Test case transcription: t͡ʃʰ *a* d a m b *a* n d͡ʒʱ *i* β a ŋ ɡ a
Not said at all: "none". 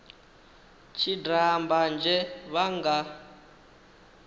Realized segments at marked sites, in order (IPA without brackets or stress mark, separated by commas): i, a, ɛ